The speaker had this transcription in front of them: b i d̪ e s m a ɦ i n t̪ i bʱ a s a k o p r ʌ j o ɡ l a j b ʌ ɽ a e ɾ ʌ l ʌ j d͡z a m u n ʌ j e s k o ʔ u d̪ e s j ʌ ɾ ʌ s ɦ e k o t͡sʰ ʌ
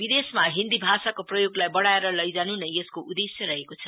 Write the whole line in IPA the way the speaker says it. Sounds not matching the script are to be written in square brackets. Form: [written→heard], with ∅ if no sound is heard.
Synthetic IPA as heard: b i d̪ e s m a ɦ i n [t̪→d̪] i bʱ a s a k o p r ʌ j o ɡ l a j b ʌ ɽ a e ɾ ʌ l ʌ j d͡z a [m→n] u n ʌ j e s k o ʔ u d̪ e s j ʌ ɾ ʌ [s→∅] ɦ e k o t͡sʰ ʌ